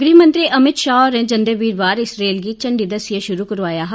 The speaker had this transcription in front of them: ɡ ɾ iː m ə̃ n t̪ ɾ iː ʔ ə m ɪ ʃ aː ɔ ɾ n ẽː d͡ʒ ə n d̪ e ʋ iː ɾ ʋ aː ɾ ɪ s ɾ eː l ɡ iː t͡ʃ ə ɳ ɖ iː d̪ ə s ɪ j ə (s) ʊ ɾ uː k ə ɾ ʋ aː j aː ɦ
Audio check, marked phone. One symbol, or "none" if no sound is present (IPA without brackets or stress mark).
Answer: ʃ